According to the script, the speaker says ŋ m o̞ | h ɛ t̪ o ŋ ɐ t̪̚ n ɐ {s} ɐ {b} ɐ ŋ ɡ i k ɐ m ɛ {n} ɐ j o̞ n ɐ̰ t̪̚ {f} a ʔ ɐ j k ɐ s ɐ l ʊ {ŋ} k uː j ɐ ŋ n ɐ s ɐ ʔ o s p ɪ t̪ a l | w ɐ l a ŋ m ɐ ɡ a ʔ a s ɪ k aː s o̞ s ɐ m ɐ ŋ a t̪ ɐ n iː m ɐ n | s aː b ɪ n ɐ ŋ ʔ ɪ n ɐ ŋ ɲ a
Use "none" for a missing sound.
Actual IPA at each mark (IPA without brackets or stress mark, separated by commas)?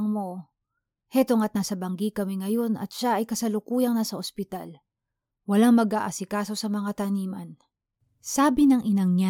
s, b, ŋ, ʃ, none